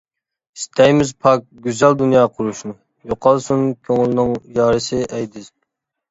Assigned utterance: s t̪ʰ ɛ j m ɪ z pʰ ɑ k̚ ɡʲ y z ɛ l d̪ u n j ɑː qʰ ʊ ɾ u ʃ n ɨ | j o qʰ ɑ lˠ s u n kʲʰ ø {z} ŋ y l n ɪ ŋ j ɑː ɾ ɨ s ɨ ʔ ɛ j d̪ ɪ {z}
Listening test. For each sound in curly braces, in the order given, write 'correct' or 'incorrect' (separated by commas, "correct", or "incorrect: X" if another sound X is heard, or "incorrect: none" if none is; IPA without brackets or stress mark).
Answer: incorrect: none, correct